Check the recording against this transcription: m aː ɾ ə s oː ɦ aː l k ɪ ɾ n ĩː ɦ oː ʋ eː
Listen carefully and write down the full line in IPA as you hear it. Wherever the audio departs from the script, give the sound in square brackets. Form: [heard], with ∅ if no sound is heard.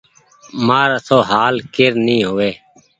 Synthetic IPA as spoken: m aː ɾ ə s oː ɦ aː l k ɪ ɾ n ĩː ɦ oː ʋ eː